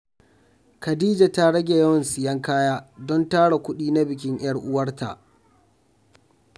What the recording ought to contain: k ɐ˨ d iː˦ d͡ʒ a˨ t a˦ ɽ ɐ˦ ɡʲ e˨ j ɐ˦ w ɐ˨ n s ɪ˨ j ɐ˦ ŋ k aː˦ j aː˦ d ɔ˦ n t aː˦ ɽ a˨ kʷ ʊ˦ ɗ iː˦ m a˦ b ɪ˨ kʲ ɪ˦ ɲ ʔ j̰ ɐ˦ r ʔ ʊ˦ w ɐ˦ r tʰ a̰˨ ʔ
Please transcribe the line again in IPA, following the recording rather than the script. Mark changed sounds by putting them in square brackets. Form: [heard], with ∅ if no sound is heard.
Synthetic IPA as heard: k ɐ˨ d iː˦ d͡ʒ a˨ t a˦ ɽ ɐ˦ ɡʲ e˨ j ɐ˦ w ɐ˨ n s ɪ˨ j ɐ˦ ŋ k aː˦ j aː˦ d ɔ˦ n t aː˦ ɽ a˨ kʷ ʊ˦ ɗ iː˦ [n] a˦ b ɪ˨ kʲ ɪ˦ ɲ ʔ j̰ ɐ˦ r ʔ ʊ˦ w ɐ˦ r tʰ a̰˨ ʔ